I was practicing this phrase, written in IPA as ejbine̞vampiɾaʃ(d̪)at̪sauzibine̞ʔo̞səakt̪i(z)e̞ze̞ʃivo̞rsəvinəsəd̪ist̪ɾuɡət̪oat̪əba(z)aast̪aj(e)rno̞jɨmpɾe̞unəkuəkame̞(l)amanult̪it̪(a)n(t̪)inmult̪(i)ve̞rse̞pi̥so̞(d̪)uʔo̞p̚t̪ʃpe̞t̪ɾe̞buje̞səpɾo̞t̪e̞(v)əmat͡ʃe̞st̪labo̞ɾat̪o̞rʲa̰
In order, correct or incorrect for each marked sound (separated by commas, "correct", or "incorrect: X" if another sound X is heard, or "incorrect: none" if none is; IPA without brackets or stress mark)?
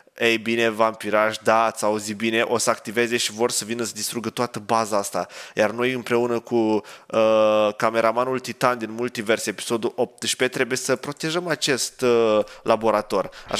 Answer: correct, incorrect: v, correct, incorrect: a, incorrect: ɾ, correct, incorrect: d̪, correct, correct, incorrect: ʒ